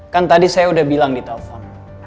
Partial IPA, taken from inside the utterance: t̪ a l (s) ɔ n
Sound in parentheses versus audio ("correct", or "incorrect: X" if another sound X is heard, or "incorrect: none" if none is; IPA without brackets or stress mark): incorrect: f